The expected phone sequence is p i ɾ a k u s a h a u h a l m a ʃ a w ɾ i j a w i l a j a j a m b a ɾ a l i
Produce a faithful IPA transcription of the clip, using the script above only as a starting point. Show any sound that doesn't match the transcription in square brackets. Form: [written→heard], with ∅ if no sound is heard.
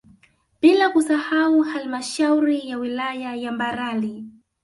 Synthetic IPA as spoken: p i [ɾ→l] a k u s a h a u h a l m a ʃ a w ɾ i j a w i l a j a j a m b a ɾ a l i